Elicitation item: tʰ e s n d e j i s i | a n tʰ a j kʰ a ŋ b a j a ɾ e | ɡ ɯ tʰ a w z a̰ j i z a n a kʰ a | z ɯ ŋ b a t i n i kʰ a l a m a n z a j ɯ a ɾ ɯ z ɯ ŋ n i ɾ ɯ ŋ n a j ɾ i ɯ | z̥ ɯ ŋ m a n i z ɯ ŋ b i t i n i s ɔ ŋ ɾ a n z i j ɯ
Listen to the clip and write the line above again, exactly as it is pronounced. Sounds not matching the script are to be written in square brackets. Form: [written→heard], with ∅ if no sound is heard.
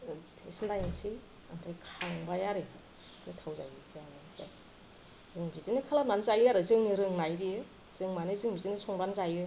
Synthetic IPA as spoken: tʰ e s n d [e→a] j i s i | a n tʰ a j kʰ a ŋ b a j a ɾ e | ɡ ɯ tʰ a w z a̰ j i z a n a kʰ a | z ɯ ŋ b [a→i] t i n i kʰ a l a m a n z a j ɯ a ɾ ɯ z ɯ ŋ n i ɾ ɯ ŋ n a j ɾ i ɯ | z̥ ɯ ŋ m a n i z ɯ ŋ b i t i n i s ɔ ŋ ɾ a n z [i→a] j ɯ